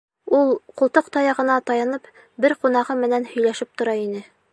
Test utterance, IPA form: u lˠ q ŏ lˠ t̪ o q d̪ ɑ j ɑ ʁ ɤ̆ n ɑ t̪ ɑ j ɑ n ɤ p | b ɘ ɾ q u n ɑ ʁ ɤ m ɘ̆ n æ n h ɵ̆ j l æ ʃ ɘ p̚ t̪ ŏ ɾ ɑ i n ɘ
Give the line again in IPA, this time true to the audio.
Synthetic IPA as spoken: u lˠ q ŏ lˠ t̪ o q t̪ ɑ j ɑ ʁ ɤ̆ n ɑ t̪ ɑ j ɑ n ɤ p | b ɘ ɾ q u n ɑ ʁ ɤ m ɘ̆ n æ n h ɵ̆ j l æ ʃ ɘ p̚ t̪ ŏ ɾ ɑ i n ɘ